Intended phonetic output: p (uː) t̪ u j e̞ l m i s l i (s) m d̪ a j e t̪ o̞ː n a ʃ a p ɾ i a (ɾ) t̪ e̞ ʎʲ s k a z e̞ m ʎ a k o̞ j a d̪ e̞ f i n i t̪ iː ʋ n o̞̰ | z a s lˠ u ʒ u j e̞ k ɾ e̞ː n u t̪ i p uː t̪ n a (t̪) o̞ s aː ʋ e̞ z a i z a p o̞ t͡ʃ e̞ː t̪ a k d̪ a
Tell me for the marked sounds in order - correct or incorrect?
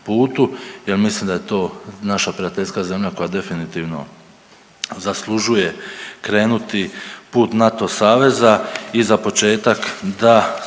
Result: correct, incorrect, incorrect, correct

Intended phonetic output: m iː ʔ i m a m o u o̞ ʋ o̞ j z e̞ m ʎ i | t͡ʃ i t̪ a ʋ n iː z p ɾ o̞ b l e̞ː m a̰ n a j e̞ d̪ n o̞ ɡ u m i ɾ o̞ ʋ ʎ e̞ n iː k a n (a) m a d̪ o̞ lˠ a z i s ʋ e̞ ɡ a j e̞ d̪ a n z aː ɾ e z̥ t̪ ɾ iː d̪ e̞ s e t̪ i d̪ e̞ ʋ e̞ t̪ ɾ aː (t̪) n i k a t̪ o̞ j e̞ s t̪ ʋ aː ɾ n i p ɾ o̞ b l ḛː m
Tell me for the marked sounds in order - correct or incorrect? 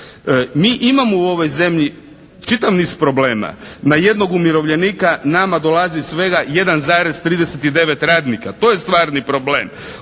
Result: correct, incorrect

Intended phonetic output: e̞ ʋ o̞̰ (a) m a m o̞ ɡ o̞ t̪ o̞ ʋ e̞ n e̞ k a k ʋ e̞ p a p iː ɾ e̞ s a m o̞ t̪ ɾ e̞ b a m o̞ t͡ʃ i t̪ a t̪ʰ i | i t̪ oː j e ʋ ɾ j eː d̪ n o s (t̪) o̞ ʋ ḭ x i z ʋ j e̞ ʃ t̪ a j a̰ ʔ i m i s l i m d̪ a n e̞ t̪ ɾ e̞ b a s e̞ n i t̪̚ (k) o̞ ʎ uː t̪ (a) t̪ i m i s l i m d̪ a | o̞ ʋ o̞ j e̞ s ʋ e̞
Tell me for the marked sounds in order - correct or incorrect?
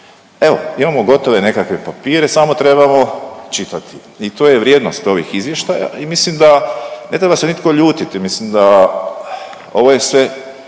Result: incorrect, correct, correct, incorrect

